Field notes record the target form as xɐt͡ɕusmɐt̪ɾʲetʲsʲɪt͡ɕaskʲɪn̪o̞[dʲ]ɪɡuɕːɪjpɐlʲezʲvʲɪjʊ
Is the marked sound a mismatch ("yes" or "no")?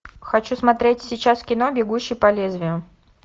yes